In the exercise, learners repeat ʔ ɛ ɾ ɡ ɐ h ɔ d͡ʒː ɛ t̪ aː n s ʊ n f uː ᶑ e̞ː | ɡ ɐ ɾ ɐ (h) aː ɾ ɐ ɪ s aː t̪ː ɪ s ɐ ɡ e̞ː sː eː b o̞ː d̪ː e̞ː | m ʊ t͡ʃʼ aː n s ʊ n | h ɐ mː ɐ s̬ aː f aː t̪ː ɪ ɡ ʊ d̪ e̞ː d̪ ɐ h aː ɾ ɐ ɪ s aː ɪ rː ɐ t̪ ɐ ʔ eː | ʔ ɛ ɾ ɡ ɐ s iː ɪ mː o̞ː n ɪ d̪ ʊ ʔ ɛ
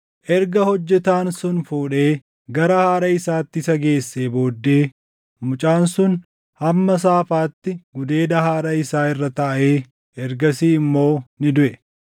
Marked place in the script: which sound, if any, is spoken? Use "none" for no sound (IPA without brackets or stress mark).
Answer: h